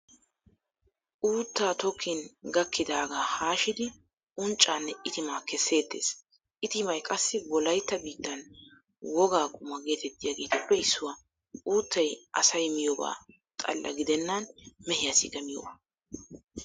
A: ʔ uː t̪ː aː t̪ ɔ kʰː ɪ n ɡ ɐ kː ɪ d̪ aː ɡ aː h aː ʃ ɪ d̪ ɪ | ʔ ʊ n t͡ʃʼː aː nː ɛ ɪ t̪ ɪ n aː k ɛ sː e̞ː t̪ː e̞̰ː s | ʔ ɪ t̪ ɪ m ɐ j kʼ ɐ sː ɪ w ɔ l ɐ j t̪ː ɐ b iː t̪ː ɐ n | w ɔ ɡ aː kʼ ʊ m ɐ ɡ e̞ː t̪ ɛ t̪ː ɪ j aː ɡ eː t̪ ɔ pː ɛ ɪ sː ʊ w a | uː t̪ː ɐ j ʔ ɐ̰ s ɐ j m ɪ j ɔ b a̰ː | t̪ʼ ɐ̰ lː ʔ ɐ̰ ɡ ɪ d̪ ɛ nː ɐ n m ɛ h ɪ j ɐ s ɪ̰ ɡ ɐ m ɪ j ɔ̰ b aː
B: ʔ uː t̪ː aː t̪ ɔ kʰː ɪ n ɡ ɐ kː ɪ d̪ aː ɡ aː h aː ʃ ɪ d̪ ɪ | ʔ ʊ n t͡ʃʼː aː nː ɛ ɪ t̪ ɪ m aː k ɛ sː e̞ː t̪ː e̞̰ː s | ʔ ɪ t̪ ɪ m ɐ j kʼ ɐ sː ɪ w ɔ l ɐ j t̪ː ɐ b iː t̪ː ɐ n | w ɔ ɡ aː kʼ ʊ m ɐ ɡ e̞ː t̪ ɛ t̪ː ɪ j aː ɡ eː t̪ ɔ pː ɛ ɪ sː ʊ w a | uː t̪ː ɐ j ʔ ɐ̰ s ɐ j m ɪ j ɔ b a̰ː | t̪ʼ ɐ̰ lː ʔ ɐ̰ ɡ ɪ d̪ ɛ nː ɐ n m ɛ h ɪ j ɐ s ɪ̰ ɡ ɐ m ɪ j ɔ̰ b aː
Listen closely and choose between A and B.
B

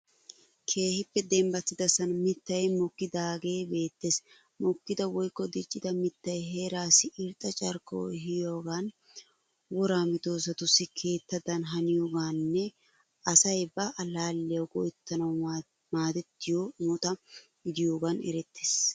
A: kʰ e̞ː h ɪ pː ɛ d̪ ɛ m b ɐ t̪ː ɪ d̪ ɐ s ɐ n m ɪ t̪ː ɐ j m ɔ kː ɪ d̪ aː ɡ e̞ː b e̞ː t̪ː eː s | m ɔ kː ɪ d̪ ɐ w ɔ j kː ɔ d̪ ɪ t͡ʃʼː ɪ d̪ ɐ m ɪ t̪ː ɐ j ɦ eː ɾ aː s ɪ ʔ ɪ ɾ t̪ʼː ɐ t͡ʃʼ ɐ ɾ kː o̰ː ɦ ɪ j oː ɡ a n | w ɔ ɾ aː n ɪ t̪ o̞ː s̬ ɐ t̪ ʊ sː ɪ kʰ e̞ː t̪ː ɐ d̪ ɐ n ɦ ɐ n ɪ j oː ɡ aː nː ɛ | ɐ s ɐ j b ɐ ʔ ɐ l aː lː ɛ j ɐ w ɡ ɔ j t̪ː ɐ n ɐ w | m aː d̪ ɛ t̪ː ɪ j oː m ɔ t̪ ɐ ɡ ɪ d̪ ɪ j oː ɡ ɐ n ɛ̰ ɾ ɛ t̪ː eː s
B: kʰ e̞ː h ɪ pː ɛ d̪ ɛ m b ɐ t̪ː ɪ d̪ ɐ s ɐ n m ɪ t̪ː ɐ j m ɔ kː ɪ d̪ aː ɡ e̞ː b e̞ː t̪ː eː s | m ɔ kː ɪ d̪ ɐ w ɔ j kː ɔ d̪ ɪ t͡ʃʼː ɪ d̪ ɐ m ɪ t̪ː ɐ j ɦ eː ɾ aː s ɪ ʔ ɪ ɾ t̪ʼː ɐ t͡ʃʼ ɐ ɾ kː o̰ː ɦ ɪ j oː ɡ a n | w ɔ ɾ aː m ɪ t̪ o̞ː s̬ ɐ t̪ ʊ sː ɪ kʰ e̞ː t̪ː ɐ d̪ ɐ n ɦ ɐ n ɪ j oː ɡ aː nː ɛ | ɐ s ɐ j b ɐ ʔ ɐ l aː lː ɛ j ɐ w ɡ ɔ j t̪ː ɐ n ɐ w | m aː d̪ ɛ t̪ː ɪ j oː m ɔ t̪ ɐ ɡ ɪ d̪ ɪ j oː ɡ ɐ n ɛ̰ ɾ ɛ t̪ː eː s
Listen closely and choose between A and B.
B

